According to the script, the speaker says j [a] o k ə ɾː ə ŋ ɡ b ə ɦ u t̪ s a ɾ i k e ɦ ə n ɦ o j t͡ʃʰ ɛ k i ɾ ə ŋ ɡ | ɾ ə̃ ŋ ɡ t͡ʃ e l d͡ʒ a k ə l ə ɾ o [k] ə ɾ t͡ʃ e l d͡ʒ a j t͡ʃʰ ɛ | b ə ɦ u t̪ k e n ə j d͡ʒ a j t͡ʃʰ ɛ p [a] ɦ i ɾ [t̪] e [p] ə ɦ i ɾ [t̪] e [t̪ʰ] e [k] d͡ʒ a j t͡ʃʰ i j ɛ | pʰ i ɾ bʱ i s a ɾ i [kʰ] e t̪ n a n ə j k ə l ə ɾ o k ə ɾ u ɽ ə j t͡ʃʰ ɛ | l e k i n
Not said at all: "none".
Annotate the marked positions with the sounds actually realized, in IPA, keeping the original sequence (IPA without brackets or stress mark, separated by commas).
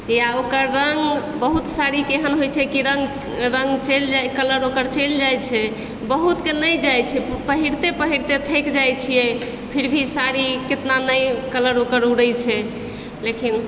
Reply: a, k, ə, t̪, p, t̪, t̪ʰ, k, k